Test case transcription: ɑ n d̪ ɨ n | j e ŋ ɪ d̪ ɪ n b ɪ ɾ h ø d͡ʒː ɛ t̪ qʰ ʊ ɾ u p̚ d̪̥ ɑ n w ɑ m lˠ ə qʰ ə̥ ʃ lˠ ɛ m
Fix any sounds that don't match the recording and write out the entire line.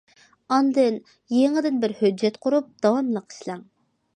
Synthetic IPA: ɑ n d̪ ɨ n | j e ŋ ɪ d̪ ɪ n b ɪ ɾ h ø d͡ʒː ɛ t̪ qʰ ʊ ɾ u p̚ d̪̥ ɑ w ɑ m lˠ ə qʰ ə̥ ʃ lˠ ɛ ŋ